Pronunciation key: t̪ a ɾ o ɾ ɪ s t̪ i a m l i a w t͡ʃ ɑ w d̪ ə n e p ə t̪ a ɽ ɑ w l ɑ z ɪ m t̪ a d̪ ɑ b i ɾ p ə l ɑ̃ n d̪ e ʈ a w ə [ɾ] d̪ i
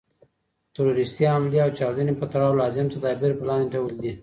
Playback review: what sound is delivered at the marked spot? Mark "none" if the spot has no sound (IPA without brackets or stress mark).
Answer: l